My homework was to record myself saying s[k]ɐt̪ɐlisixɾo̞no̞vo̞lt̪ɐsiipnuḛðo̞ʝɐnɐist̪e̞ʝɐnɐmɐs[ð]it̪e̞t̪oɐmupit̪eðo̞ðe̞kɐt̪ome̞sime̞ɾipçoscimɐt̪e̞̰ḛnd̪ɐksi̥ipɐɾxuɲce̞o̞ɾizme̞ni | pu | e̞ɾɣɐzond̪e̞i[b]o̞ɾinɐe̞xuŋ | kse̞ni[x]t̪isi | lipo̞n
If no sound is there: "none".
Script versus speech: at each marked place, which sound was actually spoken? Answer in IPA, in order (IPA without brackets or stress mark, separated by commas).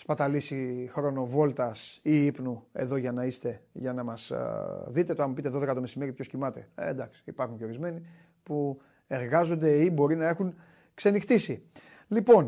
p, ð, b, x